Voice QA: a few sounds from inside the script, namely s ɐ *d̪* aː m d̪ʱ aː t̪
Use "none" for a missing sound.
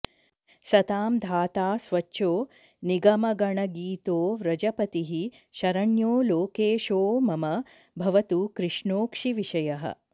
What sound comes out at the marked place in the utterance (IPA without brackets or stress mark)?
t̪